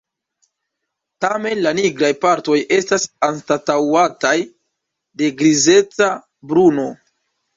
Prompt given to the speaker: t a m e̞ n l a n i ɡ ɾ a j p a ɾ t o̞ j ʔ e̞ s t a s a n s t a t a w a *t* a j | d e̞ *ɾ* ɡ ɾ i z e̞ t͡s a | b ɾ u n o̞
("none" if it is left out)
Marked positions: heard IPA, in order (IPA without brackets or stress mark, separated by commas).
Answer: t, none